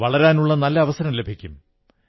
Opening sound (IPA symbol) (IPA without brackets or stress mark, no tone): ʋ